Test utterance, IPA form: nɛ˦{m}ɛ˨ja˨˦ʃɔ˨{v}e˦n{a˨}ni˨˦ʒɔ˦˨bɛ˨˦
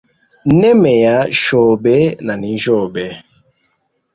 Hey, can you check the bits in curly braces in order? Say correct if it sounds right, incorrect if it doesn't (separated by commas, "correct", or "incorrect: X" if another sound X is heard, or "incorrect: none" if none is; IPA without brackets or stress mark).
correct, incorrect: b, correct